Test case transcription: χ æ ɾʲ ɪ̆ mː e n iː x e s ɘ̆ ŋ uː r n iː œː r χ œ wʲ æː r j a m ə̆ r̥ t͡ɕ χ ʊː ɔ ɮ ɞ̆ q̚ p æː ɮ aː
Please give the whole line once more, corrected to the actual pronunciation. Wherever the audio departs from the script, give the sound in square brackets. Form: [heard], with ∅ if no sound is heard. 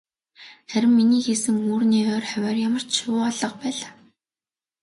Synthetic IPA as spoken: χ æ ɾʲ ɪ̆ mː [i] n iː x e s ɘ̆ ŋ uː r n iː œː r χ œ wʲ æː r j a m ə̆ r̥ t͡ɕ [ʃ] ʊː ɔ ɮ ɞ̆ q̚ p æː ɮ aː